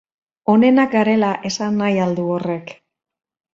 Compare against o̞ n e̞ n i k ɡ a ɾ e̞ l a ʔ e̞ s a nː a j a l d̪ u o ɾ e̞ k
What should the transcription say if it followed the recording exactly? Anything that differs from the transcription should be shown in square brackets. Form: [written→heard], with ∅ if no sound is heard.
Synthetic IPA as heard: o̞ n e̞ n [i→a] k ɡ a ɾ e̞ l a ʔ e̞ s a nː a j a l d̪ u o [ɾ→r] e̞ k